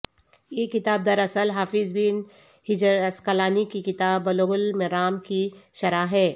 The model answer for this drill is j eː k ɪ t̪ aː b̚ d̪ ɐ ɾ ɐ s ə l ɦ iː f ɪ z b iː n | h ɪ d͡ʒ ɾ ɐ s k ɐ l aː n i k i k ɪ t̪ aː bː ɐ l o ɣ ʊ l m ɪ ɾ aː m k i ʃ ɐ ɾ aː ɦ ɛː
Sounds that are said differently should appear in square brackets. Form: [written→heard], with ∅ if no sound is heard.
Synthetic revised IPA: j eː k ɪ t̪ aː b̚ d̪ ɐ ɾ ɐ s ə l ɦ [iː→aː] f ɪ z b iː n | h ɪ d͡ʒ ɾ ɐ s k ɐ l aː n i k i k ɪ t̪ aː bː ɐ l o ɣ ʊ l m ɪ ɾ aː m k i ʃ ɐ ɾ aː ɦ ɛː